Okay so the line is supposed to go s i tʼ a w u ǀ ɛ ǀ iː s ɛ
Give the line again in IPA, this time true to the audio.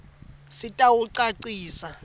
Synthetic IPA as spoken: s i tʼ a w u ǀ a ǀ iː s a